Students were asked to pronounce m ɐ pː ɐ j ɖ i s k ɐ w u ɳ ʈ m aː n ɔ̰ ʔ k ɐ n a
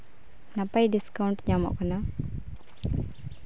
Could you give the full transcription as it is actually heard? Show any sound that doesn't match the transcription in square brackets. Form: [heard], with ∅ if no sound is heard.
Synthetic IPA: [n] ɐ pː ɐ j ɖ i s k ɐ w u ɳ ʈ [ɲ] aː [m] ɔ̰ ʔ k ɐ n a